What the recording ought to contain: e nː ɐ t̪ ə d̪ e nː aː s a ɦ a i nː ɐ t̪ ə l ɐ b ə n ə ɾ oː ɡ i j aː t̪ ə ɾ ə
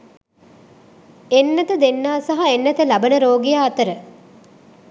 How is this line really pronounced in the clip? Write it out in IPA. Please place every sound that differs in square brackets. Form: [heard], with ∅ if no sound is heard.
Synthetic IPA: e nː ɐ t̪ ə d̪ e nː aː s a ɦ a [e] nː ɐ t̪ ə l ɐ b ə n ə ɾ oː ɡ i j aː t̪ ə ɾ ə